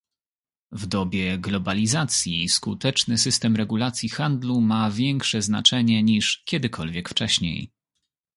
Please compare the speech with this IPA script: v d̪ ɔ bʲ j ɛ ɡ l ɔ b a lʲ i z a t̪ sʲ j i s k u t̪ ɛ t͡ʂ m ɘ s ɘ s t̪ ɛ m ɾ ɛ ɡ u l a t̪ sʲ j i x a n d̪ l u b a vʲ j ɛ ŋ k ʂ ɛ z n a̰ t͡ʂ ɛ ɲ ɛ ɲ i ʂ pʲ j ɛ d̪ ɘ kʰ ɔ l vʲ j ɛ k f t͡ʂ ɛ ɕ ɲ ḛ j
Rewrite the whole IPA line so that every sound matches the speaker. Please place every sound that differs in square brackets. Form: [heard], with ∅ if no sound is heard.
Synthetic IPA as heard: v d̪ ɔ bʲ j ɛ ɡ l ɔ b a lʲ i z a t̪ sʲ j i s k u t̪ ɛ t͡ʂ [n] ɘ s ɘ s t̪ ɛ m ɾ ɛ ɡ u l a t̪ sʲ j i x a n d̪ l u [m] a vʲ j ɛ ŋ k ʂ ɛ z n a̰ t͡ʂ ɛ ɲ ɛ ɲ i ʂ [kʲ] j ɛ d̪ ɘ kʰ ɔ l vʲ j ɛ k f t͡ʂ ɛ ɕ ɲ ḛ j